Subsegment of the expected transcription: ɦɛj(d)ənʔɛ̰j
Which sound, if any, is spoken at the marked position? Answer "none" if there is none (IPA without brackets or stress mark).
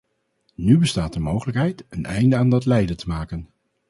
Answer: t